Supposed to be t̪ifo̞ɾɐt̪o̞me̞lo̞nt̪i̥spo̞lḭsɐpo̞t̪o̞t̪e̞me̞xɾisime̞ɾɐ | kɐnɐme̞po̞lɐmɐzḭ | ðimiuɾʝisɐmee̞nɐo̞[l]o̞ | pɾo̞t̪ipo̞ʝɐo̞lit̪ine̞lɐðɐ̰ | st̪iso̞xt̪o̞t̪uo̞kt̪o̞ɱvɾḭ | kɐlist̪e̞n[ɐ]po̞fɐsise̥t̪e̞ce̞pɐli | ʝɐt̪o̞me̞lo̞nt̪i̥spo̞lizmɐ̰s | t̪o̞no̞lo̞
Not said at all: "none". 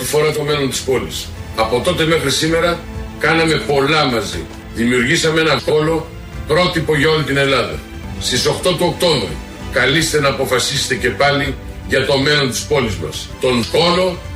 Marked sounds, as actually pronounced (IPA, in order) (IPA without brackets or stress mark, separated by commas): l, ɐː